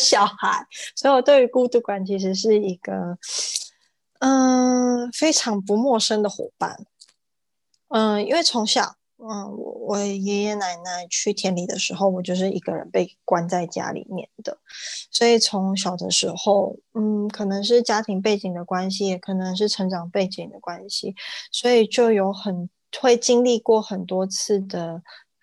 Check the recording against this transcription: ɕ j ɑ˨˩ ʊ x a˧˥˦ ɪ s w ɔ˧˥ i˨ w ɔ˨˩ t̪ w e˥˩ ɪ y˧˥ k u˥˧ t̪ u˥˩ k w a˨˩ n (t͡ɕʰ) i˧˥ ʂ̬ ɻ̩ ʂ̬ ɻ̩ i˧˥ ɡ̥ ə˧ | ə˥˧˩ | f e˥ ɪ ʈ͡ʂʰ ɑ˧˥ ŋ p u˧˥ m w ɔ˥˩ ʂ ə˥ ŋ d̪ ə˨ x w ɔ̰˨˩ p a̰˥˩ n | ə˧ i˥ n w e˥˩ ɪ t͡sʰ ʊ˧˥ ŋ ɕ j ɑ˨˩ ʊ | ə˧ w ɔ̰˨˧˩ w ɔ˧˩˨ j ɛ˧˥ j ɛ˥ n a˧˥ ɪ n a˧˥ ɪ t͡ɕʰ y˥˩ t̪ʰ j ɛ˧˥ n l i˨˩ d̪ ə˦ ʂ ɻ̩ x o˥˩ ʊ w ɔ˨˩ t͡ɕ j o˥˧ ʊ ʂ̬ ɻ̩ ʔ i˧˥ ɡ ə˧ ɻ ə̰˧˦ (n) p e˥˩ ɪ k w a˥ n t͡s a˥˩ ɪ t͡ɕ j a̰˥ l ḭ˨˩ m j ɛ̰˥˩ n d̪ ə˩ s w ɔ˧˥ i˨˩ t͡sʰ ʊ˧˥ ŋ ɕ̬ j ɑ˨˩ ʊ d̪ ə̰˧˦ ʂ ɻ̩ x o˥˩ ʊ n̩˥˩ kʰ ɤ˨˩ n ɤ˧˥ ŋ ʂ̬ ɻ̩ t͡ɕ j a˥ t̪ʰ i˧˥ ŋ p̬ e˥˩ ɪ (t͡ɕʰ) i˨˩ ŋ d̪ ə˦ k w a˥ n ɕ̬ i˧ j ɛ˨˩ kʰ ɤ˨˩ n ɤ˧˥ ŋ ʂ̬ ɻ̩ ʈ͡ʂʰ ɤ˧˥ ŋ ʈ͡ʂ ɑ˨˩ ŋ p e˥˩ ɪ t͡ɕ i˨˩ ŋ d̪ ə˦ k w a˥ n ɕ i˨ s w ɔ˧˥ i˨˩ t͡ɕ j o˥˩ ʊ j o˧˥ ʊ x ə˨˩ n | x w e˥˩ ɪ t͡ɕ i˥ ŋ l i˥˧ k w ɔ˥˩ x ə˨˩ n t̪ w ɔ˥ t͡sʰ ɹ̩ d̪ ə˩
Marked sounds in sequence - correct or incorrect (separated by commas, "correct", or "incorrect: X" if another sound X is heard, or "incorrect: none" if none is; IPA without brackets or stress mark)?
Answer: correct, correct, incorrect: t͡ɕ